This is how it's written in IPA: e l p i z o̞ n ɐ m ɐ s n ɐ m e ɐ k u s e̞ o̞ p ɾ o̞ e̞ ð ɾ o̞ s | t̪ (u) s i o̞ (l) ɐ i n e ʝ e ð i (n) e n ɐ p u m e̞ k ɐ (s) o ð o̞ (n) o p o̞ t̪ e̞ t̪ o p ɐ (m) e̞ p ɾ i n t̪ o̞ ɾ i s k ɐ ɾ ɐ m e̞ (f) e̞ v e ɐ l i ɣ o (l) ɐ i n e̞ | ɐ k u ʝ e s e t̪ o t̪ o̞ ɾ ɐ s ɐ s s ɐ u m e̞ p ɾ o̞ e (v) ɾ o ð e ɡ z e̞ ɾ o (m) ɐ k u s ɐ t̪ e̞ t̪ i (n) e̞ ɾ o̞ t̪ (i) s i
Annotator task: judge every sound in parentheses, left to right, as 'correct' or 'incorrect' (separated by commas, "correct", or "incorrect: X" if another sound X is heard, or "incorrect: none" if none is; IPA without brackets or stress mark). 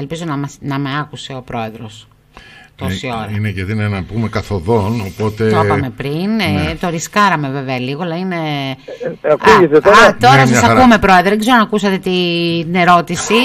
incorrect: o, incorrect: ɾ, correct, incorrect: θ, correct, correct, incorrect: v, correct, incorrect: ð, incorrect: n, correct, correct